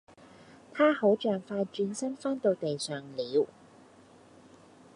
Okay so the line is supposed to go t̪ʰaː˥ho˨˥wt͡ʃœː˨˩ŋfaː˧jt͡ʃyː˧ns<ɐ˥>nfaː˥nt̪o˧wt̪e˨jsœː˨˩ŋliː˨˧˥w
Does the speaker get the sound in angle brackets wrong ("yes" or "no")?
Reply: no